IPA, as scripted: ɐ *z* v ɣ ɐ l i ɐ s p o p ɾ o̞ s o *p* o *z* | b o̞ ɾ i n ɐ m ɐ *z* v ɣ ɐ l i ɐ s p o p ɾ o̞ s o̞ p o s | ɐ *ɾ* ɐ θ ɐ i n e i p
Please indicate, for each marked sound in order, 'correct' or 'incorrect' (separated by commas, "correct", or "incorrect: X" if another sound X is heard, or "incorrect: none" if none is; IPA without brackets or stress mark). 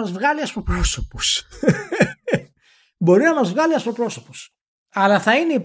correct, correct, incorrect: s, correct, incorrect: l